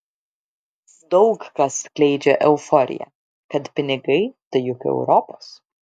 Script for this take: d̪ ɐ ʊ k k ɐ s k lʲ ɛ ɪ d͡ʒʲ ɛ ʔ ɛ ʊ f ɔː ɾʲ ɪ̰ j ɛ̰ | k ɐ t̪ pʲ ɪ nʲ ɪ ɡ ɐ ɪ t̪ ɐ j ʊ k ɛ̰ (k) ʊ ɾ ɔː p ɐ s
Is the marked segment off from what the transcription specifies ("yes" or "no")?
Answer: yes